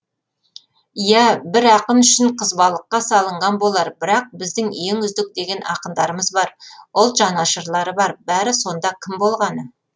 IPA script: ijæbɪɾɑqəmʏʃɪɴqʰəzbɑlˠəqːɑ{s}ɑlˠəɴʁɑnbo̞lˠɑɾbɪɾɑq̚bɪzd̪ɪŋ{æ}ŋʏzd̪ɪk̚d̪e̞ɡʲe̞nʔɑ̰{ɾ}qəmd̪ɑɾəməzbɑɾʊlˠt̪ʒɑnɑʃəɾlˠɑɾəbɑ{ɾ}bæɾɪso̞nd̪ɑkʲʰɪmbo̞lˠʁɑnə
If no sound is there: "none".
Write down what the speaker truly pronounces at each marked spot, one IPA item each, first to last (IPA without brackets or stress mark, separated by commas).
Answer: s, e, none, ɾ